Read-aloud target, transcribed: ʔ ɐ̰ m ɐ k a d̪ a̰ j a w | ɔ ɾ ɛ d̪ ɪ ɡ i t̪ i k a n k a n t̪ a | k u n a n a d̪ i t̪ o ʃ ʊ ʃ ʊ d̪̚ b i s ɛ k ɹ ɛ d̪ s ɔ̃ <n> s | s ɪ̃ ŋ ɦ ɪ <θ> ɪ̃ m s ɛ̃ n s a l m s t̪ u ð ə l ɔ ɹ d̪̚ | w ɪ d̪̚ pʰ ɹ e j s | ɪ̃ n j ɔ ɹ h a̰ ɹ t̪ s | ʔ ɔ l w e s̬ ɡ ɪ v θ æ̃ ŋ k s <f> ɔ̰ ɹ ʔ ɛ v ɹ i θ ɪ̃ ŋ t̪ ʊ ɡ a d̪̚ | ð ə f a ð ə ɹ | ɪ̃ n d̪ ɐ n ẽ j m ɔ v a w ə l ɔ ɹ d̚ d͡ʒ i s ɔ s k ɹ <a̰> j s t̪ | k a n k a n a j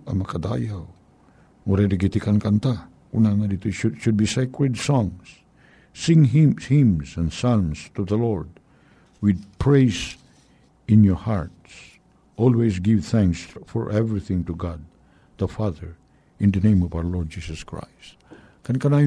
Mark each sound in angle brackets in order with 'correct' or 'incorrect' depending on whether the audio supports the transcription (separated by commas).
incorrect, incorrect, correct, correct